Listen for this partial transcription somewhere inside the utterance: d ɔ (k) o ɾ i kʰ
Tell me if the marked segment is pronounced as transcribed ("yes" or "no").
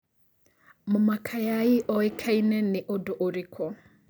no